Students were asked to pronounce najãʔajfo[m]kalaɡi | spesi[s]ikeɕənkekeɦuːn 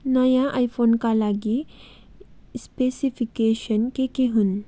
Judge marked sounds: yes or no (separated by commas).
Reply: no, no